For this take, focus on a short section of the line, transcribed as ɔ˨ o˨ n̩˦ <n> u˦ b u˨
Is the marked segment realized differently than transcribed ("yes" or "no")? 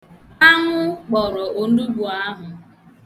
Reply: yes